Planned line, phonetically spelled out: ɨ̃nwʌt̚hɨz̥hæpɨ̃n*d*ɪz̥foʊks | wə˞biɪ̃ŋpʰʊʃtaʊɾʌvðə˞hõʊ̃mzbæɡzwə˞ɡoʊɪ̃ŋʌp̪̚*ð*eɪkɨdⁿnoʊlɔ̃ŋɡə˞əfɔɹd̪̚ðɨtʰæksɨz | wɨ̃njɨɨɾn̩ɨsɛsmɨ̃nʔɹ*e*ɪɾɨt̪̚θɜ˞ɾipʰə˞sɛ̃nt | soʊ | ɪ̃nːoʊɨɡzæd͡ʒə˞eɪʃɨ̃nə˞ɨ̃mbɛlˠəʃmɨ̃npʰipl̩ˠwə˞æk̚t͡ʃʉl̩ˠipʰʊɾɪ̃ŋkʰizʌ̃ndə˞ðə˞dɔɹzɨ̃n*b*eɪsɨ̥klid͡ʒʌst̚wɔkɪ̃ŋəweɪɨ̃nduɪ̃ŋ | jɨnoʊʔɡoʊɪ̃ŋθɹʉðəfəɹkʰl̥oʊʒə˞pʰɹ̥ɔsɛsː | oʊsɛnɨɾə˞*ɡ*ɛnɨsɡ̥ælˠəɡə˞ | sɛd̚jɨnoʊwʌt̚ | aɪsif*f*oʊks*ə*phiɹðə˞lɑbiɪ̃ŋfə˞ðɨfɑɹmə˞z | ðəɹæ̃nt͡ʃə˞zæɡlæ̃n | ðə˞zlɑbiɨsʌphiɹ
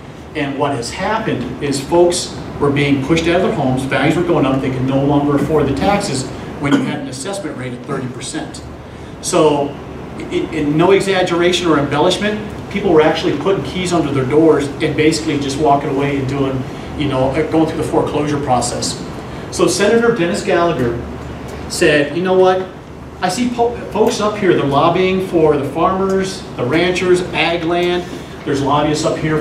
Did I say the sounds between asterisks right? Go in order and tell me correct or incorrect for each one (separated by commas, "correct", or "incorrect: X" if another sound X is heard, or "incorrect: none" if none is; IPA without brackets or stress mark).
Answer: correct, correct, correct, correct, incorrect: d, correct, incorrect: ʌ